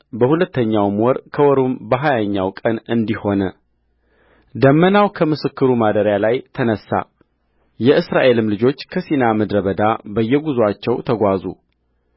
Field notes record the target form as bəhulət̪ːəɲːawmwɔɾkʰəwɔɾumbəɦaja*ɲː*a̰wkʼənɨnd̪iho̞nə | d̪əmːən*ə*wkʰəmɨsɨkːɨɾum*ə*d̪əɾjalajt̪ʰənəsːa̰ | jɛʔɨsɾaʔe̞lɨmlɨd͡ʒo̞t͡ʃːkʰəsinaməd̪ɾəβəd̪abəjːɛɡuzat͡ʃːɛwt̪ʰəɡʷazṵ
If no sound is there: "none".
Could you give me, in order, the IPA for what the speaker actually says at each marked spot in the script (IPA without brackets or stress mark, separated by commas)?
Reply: ɲː, a, a